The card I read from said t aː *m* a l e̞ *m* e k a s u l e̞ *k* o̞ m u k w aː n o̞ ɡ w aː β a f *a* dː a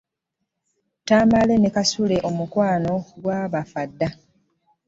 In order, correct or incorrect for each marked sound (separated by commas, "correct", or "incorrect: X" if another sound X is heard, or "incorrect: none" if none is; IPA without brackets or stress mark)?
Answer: correct, incorrect: n, incorrect: ʔ, correct